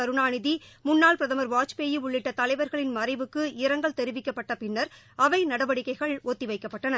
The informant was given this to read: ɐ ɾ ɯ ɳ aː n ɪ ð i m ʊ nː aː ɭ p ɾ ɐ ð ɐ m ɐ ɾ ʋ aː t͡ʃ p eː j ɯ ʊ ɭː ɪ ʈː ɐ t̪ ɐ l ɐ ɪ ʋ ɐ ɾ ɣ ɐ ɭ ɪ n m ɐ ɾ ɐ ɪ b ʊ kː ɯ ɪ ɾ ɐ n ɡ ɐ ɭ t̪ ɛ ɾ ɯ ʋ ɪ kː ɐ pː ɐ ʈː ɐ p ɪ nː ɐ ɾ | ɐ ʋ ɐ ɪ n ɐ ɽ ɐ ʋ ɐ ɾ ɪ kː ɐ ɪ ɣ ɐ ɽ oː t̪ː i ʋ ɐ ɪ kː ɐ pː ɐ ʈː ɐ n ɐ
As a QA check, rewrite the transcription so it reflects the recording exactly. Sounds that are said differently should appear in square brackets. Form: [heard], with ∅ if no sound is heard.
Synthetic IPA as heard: ɐ ɾ ɯ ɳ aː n ɪ ð i m ʊ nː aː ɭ p ɾ ɐ ð ɐ m ɐ ɾ ʋ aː t͡ʃ p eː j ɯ ʊ ɭː ɪ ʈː ɐ t̪ ɐ l ɐ ɪ ʋ ɐ ɾ ɣ ɐ ɭ ɪ n m ɐ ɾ ɐ ɪ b [ɯ] kː ɯ ɪ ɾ ɐ [ŋ] ɡ ɐ ɭ t̪ ɛ ɾ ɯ ʋ ɪ kː ɐ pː ɐ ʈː ɐ p ɪ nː ɐ ɾ | ɐ ʋ ɐ ɪ n ɐ ɽ ɐ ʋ ɐ [ɽ] ɪ kː ɐ ɪ ɣ ɐ [ɭ] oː t̪ː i ʋ ɐ ɪ kː ɐ pː ɐ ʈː ɐ n ɐ